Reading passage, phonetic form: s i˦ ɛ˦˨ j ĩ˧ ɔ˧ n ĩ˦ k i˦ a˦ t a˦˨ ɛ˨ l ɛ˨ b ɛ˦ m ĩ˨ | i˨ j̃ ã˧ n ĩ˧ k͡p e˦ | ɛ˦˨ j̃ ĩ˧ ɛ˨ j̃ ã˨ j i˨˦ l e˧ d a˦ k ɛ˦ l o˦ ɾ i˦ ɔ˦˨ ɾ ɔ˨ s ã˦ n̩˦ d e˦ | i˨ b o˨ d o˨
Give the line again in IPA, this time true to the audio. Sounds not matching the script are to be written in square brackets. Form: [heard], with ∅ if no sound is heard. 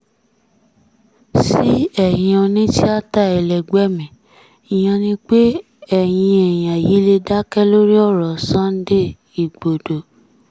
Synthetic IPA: s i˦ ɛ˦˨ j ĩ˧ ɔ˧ n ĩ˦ [t] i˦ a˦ t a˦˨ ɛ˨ l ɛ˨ [ɡ͡b] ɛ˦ m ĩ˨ | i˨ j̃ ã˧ n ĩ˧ k͡p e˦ | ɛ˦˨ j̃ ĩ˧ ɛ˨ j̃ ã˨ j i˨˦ l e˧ d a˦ k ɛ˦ l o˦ ɾ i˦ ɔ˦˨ ɾ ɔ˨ s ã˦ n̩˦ d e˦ | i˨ [ɡ͡b] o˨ d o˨